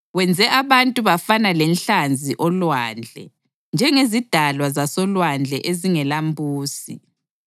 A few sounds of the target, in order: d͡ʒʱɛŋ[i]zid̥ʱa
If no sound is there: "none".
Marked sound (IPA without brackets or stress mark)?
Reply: e